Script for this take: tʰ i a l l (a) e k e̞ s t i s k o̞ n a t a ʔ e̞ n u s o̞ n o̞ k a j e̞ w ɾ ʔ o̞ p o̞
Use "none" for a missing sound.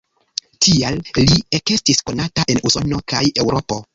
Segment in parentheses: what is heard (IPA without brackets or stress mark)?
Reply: i